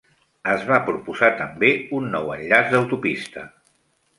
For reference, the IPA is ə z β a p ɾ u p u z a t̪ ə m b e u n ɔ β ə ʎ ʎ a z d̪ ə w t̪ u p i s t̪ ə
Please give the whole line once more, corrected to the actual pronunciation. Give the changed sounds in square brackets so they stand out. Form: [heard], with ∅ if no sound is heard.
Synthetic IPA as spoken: ə z β a p ɾ u p u z a t̪ ə m b e u [nː] ɔ [w] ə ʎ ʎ a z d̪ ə w t̪ u p i s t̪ ə